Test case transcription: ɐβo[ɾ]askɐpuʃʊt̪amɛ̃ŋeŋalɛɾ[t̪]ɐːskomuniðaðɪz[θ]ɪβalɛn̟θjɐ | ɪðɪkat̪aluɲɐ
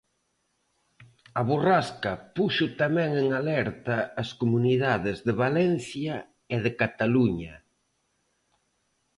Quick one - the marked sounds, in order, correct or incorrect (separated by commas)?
incorrect, correct, incorrect